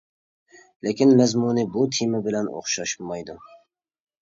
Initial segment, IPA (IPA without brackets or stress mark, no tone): l